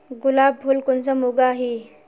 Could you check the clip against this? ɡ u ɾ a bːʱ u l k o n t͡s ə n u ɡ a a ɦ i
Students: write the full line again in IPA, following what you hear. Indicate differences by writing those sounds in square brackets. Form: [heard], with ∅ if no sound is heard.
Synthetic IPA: ɡ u [l] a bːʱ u l k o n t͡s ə [m] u ɡ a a ɦ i